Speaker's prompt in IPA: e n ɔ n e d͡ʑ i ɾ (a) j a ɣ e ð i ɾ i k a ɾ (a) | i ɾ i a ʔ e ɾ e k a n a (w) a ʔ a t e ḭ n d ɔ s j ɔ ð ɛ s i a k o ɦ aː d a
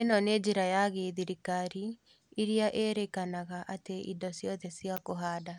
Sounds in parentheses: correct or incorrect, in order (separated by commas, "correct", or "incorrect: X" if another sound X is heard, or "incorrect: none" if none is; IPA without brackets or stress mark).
correct, incorrect: i, incorrect: ɣ